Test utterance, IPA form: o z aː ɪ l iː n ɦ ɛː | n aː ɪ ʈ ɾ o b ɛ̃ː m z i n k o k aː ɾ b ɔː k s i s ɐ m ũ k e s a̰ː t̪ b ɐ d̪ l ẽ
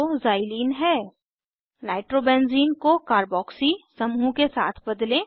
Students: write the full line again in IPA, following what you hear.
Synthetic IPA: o z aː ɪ l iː n ɦ ɛː | n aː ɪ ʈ ɾ o b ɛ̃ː n z iː n k o k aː ɾ b ɔː k s i s ɐ m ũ k e s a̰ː t̪ʰ b ɐ d̪ l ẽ

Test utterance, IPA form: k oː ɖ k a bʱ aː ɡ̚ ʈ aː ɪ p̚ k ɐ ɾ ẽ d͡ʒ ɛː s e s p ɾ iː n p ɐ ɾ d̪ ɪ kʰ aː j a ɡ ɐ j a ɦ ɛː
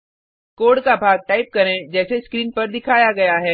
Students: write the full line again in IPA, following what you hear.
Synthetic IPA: k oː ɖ k a bʱ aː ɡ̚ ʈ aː ɪ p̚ k ɐ ɾ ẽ d͡ʒ ɛː s e s k ɾ iː n p ɐ ɾ d̪ ɪ kʰ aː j a ɡ ɐ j a ɦ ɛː

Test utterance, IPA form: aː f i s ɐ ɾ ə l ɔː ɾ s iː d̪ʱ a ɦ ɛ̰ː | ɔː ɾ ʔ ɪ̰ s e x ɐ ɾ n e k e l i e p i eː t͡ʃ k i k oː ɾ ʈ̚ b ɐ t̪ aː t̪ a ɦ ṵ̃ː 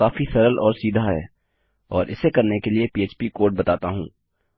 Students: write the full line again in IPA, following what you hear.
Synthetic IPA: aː f i s ɐ ɾ ə l ɔː ɾ s iː d̪ʱ a ɦ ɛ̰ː | ɔː ɾ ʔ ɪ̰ s e k ɐ ɾ n e k e l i e p i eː t͡ʃ p i k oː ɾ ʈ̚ b ɐ t̪ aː t̪ a ɦ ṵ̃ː

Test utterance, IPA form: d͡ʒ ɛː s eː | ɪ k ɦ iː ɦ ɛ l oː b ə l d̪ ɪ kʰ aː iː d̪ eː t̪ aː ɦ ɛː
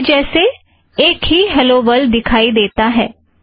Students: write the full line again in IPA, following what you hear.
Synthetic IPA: d͡ʒ ɛː s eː | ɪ k ɦ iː ɦ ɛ l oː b ə l d̪ ɪ kʰ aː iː d̪ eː t̪ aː ɦ ɛː

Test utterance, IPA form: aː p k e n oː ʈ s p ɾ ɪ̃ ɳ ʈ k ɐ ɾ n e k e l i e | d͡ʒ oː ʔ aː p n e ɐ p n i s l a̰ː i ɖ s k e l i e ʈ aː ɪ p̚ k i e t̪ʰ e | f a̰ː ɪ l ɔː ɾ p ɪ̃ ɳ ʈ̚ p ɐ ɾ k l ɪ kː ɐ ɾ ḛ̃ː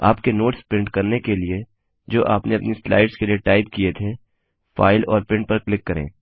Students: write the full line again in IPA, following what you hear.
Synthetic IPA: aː p k e n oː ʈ s p ɾ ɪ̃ ɳ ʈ k ɐ ɾ n e k e l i e | d͡ʒ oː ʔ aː p n e ɐ p n i s l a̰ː ɪ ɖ s k e l i e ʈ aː ɪ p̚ k i e t̪ʰ e | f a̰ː ɪ l ɔː ɾ p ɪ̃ ɳ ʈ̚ p ɐ ɾ k l ɪ kː ɐ ɾ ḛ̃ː

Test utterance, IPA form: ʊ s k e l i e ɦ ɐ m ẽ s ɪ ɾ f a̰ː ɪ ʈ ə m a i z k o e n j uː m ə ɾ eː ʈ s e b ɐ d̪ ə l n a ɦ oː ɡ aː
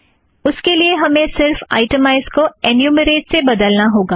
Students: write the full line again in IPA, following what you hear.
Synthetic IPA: ʊ s k e l i e ɦ ɐ m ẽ s ɪ ɾ f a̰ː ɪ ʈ ə m a ɪ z k o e n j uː m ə ɾ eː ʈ s e b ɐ d̪ ə l n a ɦ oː ɡ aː

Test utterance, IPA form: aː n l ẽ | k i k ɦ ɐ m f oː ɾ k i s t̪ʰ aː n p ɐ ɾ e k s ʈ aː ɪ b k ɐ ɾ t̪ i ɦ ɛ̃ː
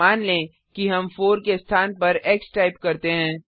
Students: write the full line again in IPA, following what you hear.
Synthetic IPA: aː n l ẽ | k i ɦ ɐ m f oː ɾ k e s t̪ʰ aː n p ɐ ɾ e k s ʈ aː ɪ p k ɐ ɾ t̪ e ɦ ɛ̃ː

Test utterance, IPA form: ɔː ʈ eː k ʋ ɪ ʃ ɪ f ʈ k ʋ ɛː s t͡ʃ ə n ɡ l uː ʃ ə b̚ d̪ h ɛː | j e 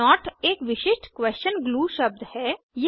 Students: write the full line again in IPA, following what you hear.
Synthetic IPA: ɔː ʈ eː k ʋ ɪ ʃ ɪ ʃ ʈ k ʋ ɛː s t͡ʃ ə n ɡ l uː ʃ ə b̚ d̪ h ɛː | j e

